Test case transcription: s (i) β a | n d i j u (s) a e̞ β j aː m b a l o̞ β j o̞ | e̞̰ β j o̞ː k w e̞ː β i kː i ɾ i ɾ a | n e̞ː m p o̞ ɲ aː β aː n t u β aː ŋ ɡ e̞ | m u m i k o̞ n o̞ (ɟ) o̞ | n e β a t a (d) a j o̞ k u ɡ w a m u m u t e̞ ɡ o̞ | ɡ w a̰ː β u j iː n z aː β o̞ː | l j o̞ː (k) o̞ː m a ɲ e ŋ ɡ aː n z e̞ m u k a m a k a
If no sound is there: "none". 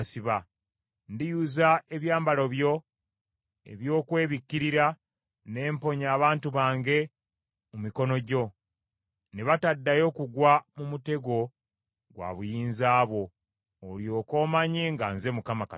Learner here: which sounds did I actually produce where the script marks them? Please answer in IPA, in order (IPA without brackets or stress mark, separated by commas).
i, z, ɟ, dː, k